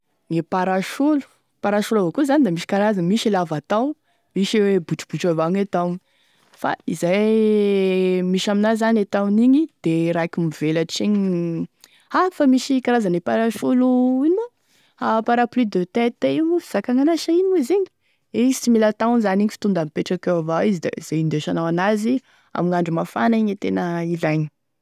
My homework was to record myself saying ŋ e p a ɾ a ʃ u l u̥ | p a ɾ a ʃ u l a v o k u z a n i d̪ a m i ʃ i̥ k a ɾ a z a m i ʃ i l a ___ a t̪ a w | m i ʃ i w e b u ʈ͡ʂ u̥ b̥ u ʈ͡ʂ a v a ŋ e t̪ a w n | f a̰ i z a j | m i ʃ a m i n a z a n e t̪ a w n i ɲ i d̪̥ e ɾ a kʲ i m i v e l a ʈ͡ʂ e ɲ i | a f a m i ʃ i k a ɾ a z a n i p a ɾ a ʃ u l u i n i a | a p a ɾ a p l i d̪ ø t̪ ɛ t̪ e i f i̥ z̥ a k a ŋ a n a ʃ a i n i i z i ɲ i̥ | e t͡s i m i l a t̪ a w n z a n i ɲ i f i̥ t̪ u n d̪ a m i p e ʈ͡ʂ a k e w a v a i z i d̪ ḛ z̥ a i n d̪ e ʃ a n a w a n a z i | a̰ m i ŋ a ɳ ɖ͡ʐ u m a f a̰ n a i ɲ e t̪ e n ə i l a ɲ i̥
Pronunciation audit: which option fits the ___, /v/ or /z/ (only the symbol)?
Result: v